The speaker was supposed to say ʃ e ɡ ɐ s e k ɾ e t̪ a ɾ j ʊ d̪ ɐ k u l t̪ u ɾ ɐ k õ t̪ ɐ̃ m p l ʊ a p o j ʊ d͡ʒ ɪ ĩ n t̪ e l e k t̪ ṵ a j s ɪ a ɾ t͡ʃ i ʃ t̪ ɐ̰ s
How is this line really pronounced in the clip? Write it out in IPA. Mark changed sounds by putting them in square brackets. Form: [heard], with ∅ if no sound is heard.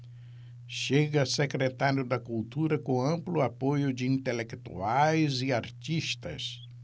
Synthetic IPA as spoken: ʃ e ɡ ɐ s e k ɾ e t̪ a ɾ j ʊ d̪ ɐ k u l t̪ u ɾ ɐ k õ [∅] ɐ̃ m p l ʊ a p o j ʊ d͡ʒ ɪ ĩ n t̪ e l e k t̪ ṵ a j [z] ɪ a ɾ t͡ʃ i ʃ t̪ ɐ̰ s